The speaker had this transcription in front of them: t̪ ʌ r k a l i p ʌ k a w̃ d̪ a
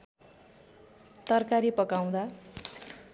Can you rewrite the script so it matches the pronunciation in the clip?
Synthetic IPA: t̪ ʌ r k a ɾ i p ʌ k a w̃ d̪ a